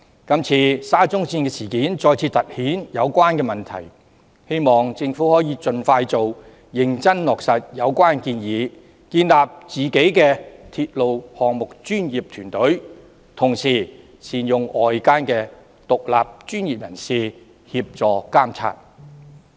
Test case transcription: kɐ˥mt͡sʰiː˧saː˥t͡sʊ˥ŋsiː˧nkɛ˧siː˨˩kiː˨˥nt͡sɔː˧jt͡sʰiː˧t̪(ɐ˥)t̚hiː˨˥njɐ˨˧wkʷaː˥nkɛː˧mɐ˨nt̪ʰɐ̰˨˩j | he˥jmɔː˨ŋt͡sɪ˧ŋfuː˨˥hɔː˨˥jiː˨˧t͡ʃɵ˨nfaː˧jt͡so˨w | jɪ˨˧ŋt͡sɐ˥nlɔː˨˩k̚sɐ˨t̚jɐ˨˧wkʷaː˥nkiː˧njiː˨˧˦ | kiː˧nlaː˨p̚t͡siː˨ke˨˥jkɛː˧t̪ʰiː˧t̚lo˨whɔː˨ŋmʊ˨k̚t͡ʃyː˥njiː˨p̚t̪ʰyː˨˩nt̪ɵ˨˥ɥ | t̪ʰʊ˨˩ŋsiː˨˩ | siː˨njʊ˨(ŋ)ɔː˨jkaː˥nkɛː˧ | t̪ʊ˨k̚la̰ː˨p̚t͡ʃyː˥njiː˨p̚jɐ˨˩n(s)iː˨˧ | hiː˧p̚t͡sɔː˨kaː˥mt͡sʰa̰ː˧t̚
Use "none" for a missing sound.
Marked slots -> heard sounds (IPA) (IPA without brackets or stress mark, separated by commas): ɐ˨, ŋ, s